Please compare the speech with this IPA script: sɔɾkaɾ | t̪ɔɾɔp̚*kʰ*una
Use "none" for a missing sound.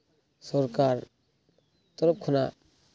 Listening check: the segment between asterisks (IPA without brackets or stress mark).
kʰ